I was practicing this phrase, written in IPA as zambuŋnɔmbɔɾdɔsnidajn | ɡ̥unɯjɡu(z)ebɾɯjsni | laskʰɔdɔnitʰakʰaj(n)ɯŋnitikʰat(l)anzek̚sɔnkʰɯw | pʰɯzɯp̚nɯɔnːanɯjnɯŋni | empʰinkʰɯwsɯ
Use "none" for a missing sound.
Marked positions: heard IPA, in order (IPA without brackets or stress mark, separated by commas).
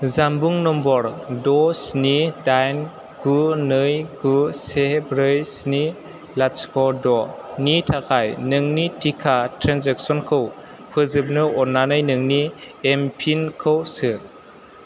s, n, ɾ